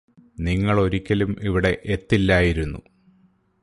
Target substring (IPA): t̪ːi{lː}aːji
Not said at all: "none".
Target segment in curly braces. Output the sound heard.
lː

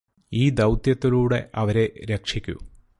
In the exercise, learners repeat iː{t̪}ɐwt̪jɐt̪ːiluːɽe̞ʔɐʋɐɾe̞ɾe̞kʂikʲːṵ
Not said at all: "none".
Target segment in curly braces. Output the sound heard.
d̪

